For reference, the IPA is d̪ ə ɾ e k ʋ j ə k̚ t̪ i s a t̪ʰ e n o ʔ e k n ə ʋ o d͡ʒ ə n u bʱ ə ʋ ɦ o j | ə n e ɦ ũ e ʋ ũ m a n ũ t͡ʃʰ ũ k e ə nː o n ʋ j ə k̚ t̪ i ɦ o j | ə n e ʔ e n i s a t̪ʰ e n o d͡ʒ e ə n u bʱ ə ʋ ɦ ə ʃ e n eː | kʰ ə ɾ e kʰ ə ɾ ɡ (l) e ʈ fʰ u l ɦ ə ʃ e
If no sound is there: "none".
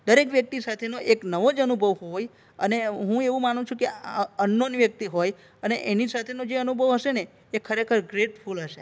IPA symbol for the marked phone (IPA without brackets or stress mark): ɾ